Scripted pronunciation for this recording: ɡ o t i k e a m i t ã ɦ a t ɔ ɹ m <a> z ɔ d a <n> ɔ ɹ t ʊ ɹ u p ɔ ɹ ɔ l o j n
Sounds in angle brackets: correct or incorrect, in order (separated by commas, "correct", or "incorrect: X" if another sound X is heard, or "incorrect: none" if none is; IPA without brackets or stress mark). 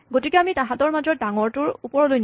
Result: correct, incorrect: ŋ